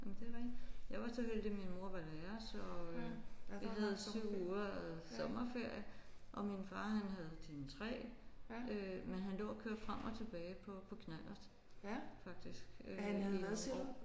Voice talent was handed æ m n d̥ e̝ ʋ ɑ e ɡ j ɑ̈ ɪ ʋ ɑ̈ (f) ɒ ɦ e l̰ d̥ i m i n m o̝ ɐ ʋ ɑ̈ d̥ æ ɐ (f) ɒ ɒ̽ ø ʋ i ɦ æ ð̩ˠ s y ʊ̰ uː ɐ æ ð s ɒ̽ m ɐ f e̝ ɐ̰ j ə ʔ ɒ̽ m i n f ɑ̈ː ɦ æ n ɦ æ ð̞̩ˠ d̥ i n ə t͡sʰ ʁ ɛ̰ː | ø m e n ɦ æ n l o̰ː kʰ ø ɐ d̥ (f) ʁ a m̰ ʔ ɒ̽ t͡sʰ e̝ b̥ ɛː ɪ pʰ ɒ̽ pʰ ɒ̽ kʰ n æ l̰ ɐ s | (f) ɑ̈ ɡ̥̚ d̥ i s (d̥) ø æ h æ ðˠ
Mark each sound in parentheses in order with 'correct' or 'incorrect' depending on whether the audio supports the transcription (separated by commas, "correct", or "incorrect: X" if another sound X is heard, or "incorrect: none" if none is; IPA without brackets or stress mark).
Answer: incorrect: s, incorrect: s, correct, correct, incorrect: ɡ̥